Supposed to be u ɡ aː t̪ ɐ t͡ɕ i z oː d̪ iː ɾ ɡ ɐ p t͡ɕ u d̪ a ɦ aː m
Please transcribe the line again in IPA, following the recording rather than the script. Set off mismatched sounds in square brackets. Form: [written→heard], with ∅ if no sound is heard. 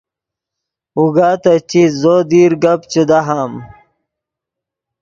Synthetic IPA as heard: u ɡ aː t̪ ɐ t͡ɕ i z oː d̪ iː ɾ ɡ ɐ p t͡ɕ u d̪ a ɦ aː m